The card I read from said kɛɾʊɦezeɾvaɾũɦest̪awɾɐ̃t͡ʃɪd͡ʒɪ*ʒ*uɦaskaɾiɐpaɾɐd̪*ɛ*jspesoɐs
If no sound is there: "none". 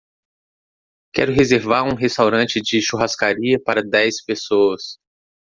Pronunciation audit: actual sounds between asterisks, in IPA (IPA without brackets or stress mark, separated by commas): ʃ, ɛ